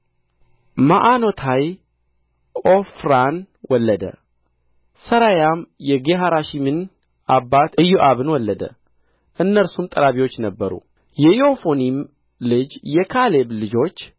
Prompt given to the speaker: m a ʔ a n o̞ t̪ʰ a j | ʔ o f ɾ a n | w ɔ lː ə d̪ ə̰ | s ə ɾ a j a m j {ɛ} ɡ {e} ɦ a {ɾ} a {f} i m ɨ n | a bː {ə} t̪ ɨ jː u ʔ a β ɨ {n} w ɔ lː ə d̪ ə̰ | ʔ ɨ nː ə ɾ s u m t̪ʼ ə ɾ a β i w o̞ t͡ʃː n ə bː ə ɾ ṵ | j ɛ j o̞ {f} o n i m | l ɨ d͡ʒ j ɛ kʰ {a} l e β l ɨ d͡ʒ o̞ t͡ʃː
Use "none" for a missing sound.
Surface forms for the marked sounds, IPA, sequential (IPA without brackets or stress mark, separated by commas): ɛ, e, ɾ, ʃ, a, n, f, a